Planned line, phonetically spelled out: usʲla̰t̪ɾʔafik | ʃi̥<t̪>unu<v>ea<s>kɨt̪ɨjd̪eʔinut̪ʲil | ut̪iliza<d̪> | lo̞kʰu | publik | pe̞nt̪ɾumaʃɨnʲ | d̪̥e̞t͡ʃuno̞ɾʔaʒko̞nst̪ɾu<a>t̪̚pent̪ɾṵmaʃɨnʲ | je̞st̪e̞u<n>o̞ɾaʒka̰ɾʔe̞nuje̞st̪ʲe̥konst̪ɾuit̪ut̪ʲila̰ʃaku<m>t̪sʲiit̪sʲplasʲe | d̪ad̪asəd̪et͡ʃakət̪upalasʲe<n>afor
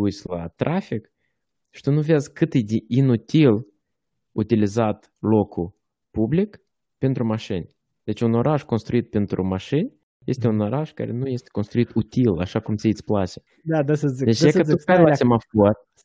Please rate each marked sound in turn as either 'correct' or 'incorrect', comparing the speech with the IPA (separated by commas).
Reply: correct, correct, incorrect, incorrect, incorrect, correct, correct, incorrect